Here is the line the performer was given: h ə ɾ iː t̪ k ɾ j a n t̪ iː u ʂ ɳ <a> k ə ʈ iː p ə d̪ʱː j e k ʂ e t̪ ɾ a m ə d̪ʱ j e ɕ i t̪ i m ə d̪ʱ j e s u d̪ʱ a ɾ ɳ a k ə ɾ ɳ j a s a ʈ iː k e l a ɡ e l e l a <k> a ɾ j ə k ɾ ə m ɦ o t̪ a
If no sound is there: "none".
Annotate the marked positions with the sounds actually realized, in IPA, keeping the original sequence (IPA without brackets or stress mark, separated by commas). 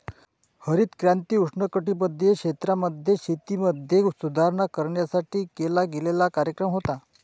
ə, k